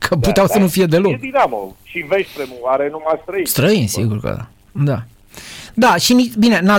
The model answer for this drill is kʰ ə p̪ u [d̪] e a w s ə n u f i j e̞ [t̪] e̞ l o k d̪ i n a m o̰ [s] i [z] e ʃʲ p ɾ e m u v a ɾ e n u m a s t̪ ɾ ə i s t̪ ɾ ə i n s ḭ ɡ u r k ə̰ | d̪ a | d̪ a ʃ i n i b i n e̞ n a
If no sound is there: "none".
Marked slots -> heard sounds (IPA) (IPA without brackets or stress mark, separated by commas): t̪, d̪, ʃ, v